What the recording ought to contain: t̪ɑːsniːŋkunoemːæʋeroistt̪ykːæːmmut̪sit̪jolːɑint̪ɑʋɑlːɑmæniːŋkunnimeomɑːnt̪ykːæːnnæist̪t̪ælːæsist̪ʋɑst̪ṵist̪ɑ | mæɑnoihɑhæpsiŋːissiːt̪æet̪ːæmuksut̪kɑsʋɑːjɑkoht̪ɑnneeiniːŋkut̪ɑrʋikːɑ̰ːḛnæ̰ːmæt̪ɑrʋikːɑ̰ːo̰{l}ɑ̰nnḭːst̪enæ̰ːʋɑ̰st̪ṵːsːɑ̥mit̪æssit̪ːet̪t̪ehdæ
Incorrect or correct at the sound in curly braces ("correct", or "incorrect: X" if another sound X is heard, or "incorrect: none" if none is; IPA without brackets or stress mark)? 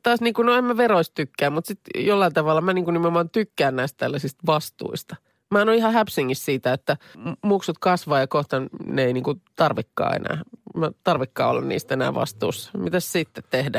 incorrect: lː